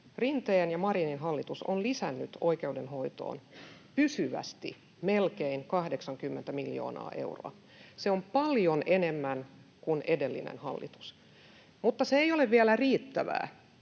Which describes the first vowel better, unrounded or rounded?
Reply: unrounded